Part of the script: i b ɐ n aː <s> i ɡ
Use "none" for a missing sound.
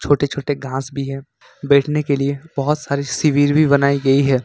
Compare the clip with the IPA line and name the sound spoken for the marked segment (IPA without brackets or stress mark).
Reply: none